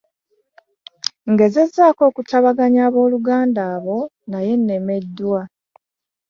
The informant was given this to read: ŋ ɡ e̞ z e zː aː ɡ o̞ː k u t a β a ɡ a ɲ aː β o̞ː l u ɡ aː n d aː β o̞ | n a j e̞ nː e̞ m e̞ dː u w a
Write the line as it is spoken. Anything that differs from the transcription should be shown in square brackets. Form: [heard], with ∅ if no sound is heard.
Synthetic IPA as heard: ŋ ɡ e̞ z e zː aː [k] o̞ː k u t a β a ɡ a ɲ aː β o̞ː l u ɡ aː n d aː β o̞ | n a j e̞ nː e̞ m e̞ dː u w a